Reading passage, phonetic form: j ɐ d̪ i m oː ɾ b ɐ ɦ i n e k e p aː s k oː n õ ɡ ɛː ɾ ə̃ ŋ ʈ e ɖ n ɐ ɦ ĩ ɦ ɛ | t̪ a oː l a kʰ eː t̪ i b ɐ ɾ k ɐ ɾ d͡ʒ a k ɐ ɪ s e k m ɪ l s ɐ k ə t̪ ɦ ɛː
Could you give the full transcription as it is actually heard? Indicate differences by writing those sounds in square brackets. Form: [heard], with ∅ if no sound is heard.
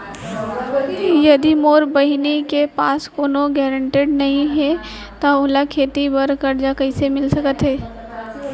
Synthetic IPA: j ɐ d̪ i m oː ɾ b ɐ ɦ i n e k e p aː s k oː n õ ɡ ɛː ɾ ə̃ [ɳ] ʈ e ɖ n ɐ ɦ ĩ ɦ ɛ | t̪ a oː l a kʰ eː t̪ i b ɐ ɾ k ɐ ɾ d͡ʒ a k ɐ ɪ s e [∅] m ɪ l s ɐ k ə t̪ ɦ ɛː